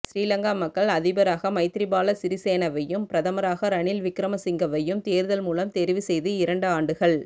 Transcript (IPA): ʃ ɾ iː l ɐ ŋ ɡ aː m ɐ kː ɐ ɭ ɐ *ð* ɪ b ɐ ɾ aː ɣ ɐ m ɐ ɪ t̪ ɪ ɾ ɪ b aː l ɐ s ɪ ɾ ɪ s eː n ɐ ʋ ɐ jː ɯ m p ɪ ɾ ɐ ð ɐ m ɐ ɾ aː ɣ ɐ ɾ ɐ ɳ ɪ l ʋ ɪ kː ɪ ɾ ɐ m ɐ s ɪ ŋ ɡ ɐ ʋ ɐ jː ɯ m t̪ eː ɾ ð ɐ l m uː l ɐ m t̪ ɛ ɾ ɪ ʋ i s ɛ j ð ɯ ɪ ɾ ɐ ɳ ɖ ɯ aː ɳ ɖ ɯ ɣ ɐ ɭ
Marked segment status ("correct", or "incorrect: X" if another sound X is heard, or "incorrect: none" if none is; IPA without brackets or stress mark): correct